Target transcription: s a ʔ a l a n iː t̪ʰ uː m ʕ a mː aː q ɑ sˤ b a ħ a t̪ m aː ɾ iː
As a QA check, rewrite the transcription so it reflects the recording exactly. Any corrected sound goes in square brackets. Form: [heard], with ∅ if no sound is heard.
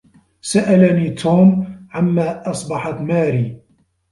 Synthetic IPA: s a ʔ a l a n iː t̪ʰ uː m ʕ a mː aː [ʔ] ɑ sˤ b [ɑ] ħ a t̪ m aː ɾ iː